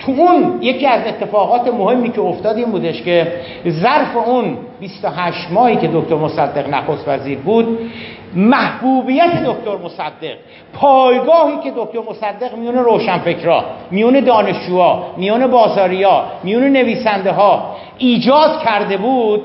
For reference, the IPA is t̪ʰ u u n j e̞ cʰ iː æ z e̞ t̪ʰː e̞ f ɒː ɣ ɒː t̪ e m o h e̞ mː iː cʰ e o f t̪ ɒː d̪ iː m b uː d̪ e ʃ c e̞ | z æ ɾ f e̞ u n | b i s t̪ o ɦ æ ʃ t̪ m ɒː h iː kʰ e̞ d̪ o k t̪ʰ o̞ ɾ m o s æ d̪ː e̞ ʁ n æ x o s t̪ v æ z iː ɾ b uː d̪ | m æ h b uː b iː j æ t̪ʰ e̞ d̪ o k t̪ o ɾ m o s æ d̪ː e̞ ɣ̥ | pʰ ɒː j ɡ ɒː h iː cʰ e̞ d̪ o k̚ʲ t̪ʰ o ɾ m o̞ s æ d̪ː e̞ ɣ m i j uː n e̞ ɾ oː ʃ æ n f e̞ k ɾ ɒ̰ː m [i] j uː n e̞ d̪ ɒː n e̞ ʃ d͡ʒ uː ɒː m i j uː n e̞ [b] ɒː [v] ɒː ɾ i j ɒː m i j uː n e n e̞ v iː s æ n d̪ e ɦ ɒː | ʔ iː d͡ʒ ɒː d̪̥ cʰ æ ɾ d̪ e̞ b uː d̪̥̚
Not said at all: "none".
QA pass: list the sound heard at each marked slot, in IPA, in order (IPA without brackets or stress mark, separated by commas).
i, b, z